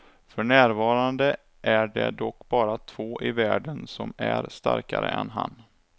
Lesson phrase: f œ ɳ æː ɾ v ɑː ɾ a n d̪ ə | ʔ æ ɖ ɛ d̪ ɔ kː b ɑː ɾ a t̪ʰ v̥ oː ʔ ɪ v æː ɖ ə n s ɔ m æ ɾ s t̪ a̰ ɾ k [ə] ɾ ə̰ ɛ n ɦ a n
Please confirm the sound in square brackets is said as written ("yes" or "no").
no